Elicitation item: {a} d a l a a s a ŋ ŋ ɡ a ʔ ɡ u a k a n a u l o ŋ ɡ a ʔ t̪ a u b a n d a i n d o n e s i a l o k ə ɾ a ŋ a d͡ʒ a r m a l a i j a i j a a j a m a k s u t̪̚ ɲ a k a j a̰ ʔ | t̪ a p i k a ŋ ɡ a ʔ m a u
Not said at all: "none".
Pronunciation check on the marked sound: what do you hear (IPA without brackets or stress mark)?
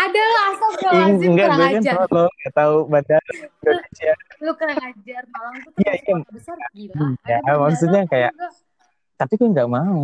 a